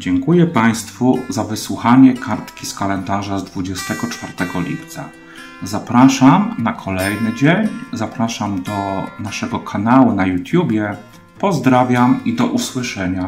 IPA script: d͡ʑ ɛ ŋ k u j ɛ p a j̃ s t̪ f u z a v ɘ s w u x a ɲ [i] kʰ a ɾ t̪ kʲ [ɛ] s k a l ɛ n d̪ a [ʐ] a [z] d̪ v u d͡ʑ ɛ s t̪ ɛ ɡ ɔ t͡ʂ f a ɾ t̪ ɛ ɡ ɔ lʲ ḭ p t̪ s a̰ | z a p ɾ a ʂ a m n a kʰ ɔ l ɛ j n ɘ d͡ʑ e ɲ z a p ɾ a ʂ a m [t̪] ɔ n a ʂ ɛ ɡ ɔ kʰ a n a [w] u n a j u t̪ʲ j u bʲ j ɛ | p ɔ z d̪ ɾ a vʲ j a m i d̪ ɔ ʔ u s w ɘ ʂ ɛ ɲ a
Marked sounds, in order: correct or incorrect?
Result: incorrect, incorrect, correct, correct, incorrect, correct

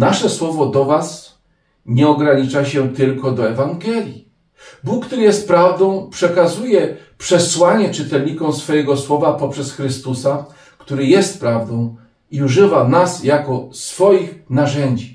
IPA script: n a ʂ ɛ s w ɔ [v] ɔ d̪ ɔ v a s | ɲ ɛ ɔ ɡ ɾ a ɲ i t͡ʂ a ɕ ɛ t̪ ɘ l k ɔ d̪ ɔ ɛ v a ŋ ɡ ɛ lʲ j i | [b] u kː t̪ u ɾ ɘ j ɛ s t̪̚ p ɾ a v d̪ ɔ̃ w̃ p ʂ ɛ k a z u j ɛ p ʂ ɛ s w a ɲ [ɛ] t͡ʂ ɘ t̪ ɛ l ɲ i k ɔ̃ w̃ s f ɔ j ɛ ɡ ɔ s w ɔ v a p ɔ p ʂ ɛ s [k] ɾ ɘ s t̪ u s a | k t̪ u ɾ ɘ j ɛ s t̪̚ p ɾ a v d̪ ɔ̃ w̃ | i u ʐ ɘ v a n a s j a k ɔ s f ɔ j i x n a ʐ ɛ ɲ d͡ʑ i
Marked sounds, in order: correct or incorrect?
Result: correct, correct, correct, incorrect

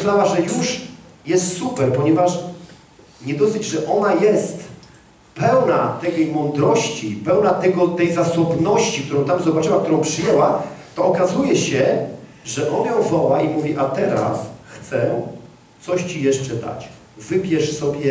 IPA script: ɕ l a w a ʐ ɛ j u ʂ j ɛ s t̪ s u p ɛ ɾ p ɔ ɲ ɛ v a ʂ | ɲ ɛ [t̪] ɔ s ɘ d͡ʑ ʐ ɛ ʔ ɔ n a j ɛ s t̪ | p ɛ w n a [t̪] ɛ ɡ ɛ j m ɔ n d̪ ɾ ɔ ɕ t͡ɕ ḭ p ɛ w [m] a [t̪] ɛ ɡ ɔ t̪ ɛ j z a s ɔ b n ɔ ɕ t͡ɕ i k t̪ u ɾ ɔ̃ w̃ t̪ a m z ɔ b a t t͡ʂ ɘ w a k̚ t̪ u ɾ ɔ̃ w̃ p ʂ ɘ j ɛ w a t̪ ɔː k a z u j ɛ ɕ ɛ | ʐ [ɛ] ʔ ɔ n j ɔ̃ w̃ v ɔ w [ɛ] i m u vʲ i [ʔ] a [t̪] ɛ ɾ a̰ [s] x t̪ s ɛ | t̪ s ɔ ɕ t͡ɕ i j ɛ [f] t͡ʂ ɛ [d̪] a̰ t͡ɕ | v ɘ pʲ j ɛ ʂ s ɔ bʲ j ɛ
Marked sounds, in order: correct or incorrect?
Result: incorrect, correct, incorrect, correct, correct, incorrect, correct, correct, correct, incorrect, correct

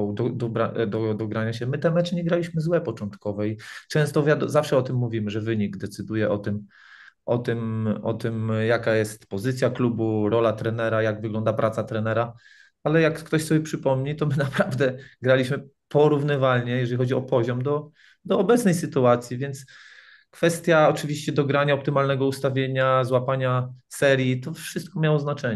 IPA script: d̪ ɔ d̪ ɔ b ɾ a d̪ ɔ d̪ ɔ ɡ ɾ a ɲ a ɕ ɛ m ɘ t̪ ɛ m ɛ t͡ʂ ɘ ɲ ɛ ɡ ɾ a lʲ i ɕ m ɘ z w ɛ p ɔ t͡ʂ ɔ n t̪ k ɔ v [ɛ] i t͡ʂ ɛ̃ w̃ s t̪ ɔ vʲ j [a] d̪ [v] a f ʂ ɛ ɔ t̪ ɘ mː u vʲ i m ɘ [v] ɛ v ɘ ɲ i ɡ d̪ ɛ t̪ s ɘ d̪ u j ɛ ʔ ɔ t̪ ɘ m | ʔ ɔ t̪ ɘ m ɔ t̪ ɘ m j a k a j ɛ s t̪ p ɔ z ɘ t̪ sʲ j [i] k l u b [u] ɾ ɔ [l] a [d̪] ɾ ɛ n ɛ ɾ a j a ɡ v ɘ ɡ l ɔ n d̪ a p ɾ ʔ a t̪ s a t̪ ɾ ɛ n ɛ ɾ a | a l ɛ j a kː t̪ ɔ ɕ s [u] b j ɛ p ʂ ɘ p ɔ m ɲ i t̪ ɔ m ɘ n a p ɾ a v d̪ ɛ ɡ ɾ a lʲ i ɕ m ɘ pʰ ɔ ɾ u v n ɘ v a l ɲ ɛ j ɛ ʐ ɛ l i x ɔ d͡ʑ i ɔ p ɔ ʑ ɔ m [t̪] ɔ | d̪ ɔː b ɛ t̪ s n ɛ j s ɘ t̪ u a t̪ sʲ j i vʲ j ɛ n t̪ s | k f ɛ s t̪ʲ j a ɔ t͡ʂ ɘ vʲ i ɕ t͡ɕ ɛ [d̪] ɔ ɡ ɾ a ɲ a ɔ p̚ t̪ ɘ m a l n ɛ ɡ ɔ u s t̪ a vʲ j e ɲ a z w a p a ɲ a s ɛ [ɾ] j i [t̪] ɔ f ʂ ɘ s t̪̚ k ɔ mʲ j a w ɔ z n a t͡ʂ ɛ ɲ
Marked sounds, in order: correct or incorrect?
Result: correct, correct, incorrect, incorrect, incorrect, correct, correct, incorrect, incorrect, incorrect, correct, correct, correct

